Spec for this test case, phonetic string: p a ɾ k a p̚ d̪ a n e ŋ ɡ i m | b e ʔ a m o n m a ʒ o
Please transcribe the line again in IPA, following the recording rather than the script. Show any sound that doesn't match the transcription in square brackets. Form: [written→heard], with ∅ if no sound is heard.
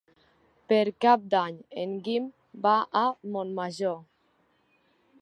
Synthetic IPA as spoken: p [a→e] ɾ k a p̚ d̪ a [n→ɲ] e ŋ ɡ i m | b [e→a] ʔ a m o n m a ʒ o

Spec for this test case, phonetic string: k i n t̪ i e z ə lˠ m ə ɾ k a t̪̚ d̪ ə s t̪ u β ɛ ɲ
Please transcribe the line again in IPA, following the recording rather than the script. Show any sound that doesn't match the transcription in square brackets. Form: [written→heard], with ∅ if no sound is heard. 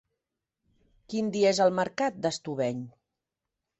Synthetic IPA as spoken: k i n [t̪→d̪] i e z ə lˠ m ə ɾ k a t̪̚ d̪ ə s t̪ u β ɛ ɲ

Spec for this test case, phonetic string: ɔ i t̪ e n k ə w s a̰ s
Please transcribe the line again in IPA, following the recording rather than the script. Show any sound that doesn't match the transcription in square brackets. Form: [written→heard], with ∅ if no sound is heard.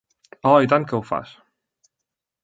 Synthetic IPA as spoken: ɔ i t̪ [e→a] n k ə w [s→f] a̰ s

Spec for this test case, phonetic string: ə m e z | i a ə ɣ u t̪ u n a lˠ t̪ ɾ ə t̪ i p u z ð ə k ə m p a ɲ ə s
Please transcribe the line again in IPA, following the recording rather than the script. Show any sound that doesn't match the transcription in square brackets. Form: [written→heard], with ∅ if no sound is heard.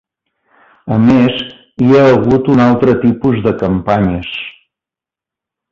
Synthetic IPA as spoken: ə m e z | i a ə ɣ u t̪ u n a lˠ t̪ ɾ ə t̪ i p u z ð ə k ə m p a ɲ ə s

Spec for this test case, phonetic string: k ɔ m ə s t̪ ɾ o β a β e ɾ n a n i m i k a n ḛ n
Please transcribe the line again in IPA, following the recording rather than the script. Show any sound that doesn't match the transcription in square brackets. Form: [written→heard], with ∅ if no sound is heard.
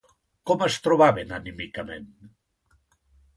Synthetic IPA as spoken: k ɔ m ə s t̪ ɾ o β a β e [ɾ→∅] n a n i m i k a [n→m] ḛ n

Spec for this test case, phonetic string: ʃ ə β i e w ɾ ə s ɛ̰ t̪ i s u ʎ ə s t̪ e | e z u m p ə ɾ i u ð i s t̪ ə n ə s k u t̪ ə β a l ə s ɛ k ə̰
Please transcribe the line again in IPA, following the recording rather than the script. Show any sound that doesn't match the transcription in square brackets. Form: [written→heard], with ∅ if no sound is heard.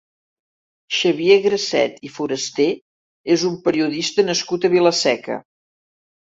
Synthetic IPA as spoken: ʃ ə β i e [w→ɣ] ɾ ə s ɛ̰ t̪ i [s→f] u [ʎ→ɾ] ə s t̪ e | e z u m p ə ɾ i u ð i s t̪ ə n ə s k u t̪ ə β [a→i] l ə s ɛ k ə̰

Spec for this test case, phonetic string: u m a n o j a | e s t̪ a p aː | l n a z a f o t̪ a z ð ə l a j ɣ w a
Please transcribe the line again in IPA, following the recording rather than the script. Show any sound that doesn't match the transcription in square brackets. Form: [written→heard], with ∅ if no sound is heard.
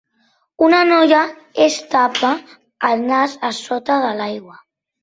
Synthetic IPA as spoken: u [m→n] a n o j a | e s t̪ a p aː | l n a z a [f→s] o t̪ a [z→∅] ð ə l a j ɣ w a

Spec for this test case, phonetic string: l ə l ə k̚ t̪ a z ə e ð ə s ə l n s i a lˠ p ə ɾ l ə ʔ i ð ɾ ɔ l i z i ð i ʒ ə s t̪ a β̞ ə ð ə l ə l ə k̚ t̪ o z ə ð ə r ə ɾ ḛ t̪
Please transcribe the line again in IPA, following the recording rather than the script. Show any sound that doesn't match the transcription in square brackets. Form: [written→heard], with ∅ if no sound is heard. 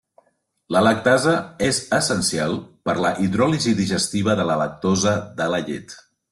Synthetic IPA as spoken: l ə l ə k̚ t̪ a z ə e [ð→z] ə s ə [l→∅] n s i a lˠ p ə ɾ l ə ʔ i ð ɾ ɔ l i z i ð i ʒ ə s t̪ [a→i] β̞ ə ð ə l ə l ə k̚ t̪ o z ə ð ə [r→l] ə [ɾ→ʎ] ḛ t̪

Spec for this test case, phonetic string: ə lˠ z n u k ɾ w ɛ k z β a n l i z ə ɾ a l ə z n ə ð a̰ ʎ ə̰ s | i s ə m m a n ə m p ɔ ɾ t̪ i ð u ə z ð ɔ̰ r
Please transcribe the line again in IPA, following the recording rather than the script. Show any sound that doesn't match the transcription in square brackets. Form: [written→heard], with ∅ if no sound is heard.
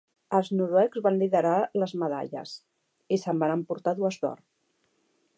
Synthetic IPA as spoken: ə lˠ z n u [k→∅] ɾ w ɛ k z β a n l i [z→ð] ə ɾ a l ə z [n→m] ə ð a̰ ʎ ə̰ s | i s ə m [m→b] a n ə m p [ɔ→u] ɾ t̪ [i→a] ð u ə z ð ɔ̰ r

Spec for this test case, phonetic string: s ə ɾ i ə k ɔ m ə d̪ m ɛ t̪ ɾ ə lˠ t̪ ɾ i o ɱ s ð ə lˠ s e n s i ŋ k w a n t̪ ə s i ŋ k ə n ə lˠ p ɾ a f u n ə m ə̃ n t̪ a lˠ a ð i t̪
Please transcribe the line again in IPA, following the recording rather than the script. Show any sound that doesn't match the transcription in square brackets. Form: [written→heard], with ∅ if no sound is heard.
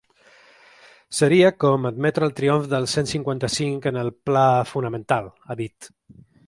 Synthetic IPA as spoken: s ə ɾ i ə k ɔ m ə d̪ m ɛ t̪ ɾ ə lˠ t̪ ɾ i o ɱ [s→f] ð ə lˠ s e n s i ŋ k w a n t̪ ə s i ŋ k ə n ə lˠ p [ɾ→l] a f u n ə m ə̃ n t̪ a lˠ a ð i t̪

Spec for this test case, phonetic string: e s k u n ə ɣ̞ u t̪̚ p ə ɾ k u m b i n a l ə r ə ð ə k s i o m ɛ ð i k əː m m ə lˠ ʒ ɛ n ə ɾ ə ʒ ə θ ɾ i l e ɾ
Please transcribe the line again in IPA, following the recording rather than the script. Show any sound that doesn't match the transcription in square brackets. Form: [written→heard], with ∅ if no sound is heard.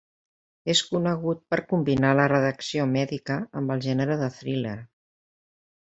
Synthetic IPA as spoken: e s k u n ə ɣ̞ u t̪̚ p ə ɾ k u m b i n a l ə r ə ð ə k s i o m ɛ ð i k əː m [m→b] ə lˠ ʒ ɛ n ə ɾ ə [ʒ→ð] ə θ ɾ i l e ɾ

